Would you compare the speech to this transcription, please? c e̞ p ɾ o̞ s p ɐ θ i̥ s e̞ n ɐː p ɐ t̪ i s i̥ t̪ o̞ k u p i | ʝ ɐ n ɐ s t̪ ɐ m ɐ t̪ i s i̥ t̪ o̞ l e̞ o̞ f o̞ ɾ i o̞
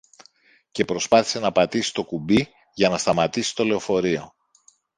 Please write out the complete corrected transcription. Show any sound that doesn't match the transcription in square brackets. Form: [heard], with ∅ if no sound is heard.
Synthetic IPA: c e̞ p ɾ o̞ s p ɐ θ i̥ s e̞ n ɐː p ɐ t̪ i s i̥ t̪ o̞ k u [b] i | ʝ ɐ n ɐ s t̪ ɐ m ɐ t̪ i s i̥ t̪ o̞ l e̞ o̞ f o̞ ɾ i o̞